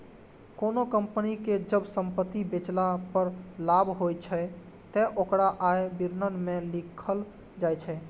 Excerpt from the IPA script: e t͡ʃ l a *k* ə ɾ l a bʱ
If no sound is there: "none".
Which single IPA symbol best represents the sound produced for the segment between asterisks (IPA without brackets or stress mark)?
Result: p